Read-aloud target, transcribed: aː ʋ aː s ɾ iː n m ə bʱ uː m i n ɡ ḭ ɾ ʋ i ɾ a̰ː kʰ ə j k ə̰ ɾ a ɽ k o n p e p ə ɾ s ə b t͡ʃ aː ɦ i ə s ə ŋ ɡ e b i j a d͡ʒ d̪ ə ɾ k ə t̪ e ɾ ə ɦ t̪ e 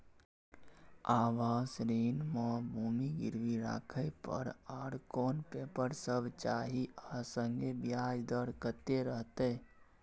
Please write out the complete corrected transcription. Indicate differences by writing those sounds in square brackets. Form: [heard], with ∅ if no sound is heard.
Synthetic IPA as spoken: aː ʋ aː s ɾ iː n m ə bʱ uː m i [∅] ɡ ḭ ɾ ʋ i ɾ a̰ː kʰ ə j [p] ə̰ ɾ a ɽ k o n p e p ə ɾ s ə b t͡ʃ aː ɦ i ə s ə ŋ ɡ e b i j a d͡ʒ d̪ ə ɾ k ə t̪ e ɾ ə ɦ t̪ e